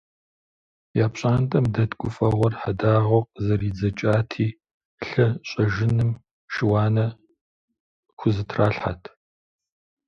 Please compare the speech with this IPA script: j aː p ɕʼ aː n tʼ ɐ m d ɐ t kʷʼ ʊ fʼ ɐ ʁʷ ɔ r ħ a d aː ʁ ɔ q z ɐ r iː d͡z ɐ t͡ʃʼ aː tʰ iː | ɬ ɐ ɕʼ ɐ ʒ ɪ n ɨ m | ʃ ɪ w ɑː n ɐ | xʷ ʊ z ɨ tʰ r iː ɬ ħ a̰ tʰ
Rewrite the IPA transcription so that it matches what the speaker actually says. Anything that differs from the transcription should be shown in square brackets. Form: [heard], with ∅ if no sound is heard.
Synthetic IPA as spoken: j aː p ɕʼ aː n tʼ ɐ m d ɐ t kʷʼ ʊ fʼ ɐ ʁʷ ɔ r ħ a d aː ʁ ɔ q z ɐ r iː d͡z ɐ t͡ʃʼ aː tʰ iː | ɬ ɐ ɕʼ ɐ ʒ ɪ n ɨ m | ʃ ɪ w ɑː n ɐ | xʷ ʊ z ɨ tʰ r [aː] ɬ ħ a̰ tʰ